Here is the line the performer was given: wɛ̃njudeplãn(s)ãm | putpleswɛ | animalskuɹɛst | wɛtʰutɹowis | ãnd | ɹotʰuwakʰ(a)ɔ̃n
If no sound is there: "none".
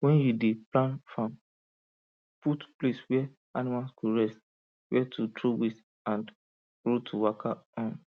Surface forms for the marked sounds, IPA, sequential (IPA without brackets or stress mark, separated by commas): f, a